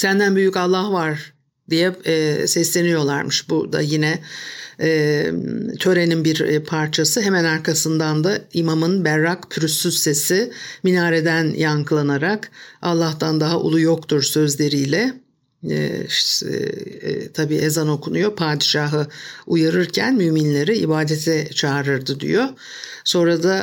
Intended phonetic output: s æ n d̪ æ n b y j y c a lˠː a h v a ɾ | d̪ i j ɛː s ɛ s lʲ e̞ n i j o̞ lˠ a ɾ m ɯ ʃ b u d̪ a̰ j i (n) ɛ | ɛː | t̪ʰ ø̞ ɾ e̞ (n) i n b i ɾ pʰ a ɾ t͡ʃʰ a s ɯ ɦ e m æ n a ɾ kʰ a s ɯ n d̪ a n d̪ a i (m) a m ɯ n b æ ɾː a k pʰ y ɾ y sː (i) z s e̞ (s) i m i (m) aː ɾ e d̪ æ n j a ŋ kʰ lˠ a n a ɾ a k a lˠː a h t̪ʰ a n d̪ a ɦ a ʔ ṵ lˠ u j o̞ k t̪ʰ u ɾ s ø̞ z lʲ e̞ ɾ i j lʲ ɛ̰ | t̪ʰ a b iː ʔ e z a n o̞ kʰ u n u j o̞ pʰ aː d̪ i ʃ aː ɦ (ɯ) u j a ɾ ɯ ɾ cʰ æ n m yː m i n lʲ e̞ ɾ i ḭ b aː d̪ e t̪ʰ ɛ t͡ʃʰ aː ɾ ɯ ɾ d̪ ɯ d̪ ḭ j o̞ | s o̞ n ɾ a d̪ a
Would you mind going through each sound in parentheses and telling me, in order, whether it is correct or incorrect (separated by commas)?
correct, correct, correct, incorrect, correct, incorrect, correct